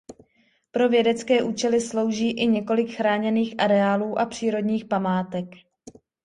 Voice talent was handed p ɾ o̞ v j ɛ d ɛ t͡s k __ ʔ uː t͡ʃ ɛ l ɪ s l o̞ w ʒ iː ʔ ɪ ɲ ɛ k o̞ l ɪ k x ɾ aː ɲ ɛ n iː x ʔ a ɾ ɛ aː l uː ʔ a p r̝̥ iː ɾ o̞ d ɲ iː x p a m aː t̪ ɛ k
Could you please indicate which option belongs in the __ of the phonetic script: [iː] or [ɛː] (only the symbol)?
ɛː